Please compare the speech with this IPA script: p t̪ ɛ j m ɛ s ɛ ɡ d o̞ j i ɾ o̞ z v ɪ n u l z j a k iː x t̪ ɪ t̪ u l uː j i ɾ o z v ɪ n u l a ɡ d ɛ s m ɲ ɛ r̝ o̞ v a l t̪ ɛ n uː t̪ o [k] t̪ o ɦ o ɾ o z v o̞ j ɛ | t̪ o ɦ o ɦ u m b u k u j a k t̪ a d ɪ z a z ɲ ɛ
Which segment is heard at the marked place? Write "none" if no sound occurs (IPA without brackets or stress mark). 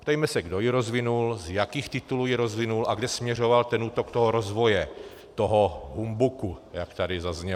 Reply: k